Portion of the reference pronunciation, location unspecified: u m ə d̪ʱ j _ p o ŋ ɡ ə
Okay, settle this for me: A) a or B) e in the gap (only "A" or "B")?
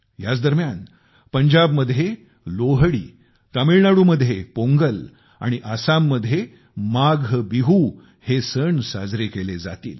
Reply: B